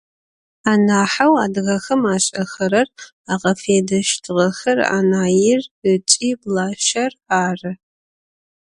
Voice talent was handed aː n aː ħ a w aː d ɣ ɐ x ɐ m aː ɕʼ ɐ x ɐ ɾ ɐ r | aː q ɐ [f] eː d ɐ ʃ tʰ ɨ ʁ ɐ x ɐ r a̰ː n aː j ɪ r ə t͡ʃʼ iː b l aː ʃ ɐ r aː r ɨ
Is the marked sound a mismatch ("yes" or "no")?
no